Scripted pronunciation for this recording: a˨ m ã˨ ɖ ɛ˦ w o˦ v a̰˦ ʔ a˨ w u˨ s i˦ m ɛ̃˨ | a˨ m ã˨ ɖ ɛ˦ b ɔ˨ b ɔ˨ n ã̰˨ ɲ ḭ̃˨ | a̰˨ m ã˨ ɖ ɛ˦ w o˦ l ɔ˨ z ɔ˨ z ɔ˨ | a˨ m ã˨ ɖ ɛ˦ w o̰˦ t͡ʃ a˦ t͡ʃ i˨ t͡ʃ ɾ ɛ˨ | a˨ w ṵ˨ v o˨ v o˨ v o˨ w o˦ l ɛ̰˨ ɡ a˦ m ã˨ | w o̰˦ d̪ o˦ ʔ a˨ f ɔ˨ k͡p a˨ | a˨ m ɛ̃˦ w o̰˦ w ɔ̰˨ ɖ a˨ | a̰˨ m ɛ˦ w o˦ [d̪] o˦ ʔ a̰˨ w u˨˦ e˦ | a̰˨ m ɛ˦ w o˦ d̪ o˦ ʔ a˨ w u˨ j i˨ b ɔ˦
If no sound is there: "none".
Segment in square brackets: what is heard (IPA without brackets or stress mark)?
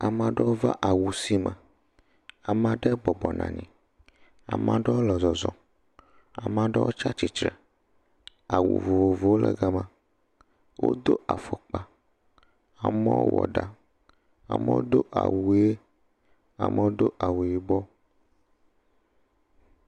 d̪